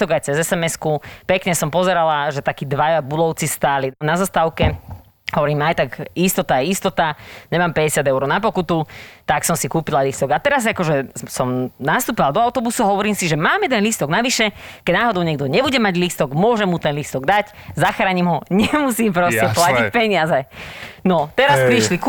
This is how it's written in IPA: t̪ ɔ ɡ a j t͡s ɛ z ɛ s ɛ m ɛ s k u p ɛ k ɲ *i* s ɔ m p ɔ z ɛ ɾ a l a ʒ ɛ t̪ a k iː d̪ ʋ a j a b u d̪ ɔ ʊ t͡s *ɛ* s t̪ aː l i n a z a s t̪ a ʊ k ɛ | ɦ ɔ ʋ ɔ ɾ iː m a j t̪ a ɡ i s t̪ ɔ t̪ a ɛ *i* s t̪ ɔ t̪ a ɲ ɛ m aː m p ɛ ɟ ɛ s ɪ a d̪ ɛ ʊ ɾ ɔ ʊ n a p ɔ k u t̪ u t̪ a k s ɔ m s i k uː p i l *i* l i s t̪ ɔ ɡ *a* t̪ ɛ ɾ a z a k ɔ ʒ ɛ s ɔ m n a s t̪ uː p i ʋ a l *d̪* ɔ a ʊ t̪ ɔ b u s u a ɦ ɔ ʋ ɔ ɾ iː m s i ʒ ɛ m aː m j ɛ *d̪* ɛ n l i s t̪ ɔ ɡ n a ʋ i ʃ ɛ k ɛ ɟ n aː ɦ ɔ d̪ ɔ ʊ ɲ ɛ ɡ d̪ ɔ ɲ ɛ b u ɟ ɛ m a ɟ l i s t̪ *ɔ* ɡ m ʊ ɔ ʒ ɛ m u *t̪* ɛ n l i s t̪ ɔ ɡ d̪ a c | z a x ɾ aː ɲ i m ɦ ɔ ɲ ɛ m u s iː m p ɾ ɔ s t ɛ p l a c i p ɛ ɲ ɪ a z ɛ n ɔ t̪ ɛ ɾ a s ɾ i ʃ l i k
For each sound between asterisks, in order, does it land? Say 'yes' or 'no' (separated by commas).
no, no, yes, no, yes, yes, yes, yes, yes